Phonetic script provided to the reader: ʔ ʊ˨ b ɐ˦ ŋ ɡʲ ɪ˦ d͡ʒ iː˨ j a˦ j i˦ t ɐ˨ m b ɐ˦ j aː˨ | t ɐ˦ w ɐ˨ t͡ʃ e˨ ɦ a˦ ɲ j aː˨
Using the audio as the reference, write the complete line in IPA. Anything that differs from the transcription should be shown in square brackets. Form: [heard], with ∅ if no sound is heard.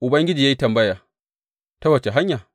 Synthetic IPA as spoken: ʔ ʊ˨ b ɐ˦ ŋ ɡʲ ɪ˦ d͡ʒ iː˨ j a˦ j i˦ t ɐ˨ m b ɐ˦ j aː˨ | t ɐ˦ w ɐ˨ t͡ʃ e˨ ɦ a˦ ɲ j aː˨